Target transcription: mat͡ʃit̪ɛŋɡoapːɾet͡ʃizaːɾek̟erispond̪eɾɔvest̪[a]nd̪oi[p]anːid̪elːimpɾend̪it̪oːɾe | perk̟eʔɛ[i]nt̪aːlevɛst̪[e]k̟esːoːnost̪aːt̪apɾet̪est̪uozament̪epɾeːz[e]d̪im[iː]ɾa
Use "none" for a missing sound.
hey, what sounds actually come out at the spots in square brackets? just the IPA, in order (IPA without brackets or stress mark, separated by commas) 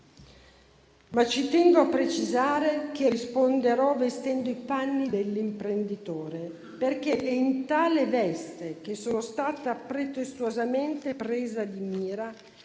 ɛ, p, i, e, a, iː